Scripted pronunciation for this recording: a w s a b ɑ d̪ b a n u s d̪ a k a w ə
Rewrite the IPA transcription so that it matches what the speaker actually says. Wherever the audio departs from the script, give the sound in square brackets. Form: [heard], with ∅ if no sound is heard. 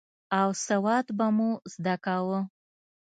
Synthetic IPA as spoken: a w s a [w] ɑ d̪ b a [m] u [z] d̪ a k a w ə